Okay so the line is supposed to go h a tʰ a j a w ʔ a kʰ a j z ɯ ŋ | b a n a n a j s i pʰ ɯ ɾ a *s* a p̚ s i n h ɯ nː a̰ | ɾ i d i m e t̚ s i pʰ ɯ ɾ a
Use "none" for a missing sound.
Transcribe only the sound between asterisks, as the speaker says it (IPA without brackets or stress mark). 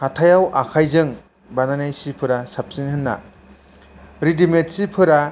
s